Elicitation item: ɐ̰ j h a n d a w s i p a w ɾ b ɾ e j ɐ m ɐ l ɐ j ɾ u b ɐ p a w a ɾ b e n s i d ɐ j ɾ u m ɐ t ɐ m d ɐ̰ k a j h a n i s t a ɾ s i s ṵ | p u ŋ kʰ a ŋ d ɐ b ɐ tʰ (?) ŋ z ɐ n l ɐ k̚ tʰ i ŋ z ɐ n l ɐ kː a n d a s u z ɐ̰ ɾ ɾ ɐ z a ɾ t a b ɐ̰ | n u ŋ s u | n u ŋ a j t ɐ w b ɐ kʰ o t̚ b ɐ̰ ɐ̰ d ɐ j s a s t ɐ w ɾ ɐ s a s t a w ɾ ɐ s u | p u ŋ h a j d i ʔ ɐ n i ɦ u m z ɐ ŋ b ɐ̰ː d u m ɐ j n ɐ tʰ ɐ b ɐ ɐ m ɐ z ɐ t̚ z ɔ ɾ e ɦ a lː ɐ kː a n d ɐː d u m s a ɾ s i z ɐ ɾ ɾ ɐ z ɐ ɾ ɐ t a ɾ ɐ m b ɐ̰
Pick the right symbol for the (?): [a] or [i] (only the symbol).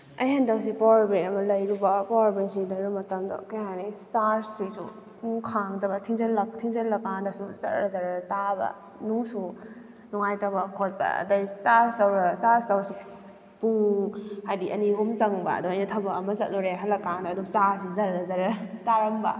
i